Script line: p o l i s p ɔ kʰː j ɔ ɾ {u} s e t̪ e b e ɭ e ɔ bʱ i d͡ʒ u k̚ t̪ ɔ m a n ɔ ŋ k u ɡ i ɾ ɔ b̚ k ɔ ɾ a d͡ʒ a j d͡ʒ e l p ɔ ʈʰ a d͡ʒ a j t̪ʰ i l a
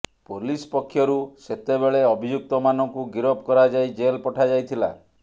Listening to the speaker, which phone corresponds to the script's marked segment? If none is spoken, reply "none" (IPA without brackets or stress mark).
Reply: u